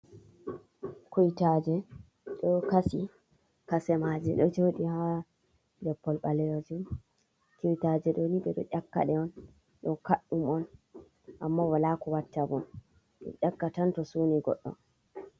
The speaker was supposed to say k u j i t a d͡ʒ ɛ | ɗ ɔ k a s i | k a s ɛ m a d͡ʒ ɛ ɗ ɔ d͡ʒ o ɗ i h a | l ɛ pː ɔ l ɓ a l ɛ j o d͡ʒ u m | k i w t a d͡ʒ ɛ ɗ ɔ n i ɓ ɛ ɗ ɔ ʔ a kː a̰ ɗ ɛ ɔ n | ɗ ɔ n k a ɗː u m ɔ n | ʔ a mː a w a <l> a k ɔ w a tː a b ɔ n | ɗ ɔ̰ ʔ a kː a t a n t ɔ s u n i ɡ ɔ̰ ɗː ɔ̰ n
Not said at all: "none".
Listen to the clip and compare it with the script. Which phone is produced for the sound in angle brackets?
l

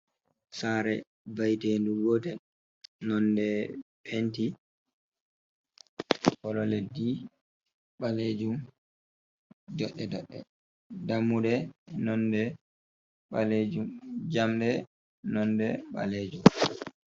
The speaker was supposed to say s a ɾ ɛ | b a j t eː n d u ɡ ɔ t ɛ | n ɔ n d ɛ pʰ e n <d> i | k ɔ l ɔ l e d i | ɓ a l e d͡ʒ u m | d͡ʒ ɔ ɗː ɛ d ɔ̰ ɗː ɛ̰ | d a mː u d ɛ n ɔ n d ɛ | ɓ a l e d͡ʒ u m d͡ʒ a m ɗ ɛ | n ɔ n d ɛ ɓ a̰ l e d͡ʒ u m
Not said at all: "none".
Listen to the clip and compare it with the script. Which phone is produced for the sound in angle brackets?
t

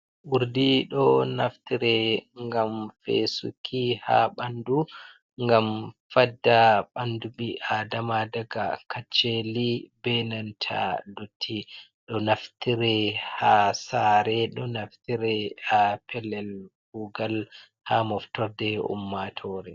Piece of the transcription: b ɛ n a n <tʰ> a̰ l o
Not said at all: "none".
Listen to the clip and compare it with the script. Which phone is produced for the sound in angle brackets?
tʰ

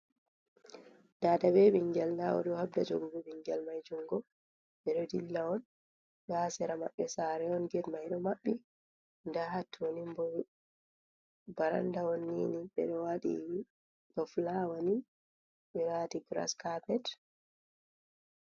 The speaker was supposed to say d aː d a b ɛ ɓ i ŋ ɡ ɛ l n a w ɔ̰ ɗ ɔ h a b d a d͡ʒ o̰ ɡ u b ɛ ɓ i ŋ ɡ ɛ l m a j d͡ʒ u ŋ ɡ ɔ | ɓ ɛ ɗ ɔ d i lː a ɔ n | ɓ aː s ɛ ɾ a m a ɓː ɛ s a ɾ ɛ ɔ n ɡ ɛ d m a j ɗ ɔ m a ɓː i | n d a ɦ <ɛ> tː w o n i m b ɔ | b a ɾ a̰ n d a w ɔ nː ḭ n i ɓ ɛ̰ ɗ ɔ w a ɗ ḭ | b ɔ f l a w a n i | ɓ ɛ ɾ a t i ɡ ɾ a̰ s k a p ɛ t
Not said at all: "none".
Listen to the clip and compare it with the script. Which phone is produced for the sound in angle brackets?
a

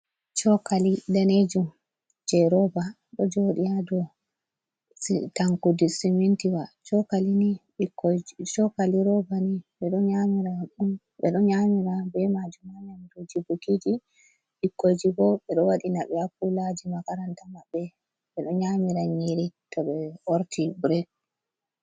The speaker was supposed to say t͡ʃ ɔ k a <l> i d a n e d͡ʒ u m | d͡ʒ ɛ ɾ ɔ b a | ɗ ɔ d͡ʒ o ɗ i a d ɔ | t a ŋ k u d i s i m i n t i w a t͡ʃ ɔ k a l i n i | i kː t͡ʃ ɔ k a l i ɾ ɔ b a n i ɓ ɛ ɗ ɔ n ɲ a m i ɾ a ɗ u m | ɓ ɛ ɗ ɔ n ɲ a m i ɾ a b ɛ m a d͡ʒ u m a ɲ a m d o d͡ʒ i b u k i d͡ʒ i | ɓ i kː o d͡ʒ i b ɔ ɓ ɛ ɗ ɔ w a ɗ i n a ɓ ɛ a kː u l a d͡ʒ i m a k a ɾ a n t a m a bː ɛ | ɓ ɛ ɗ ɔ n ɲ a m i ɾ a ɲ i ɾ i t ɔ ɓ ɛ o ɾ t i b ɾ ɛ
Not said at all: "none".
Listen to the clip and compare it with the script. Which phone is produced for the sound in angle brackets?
l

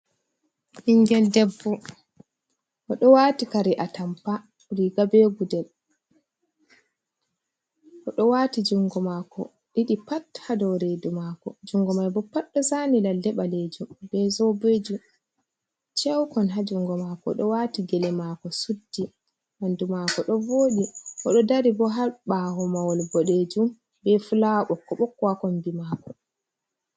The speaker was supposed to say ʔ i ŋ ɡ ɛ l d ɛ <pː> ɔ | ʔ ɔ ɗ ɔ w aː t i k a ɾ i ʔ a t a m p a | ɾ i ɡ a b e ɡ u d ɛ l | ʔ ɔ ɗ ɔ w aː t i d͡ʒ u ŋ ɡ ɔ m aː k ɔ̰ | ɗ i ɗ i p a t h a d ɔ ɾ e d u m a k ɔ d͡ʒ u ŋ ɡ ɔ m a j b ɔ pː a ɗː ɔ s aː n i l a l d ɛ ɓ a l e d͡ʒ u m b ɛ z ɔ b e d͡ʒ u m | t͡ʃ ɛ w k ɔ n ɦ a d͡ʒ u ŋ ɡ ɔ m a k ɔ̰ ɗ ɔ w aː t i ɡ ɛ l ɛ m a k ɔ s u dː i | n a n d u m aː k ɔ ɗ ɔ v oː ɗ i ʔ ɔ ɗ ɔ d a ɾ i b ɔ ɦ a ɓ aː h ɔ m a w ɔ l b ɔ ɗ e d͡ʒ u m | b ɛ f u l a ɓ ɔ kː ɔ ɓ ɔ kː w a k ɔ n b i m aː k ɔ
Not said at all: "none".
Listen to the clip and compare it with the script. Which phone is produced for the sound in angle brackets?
bː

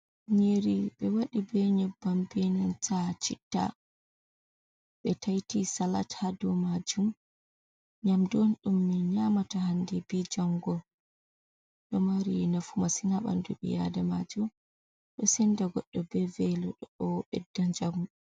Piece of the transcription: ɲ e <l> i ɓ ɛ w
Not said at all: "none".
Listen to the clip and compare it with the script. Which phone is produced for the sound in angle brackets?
ɾ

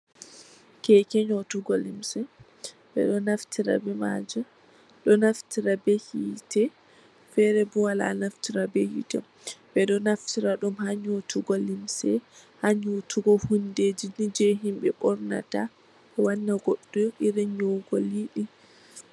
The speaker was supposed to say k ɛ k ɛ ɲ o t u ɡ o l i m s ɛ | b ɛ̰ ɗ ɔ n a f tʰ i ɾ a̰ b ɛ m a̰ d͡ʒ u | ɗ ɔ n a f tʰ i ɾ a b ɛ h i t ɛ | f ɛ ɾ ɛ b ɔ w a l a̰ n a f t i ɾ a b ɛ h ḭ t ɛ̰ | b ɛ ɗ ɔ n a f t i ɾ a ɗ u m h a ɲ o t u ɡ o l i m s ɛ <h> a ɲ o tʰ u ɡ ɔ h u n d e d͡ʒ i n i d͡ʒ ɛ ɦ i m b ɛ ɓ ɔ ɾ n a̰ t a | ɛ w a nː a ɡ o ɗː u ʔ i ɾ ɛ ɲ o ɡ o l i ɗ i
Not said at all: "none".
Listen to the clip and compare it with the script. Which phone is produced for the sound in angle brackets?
h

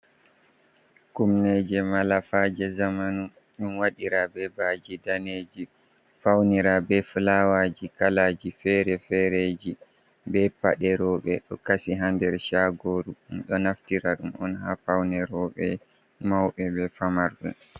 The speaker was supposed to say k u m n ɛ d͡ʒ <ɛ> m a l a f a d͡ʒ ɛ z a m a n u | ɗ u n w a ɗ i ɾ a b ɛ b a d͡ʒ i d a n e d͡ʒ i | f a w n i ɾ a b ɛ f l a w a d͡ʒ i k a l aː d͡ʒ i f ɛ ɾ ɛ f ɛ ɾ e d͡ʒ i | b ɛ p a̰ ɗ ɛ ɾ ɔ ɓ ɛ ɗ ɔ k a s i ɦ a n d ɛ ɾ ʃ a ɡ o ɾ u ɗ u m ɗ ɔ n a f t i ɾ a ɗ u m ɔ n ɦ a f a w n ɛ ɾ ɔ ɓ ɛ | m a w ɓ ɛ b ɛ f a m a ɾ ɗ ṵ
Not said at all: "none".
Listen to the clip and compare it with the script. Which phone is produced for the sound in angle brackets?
ɛ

